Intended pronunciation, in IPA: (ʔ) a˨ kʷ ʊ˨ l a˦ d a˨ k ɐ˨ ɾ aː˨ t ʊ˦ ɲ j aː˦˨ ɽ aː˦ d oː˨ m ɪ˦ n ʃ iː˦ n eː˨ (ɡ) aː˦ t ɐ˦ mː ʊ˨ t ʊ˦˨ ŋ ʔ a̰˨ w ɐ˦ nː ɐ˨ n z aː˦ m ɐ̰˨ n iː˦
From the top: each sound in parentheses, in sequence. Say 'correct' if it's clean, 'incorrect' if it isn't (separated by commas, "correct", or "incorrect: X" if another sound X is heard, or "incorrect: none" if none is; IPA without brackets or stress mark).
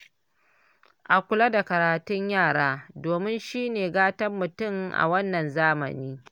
correct, correct